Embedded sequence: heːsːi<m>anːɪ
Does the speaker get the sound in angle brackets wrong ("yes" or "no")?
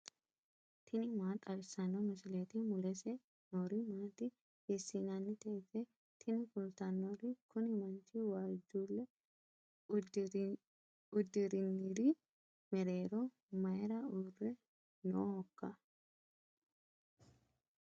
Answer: yes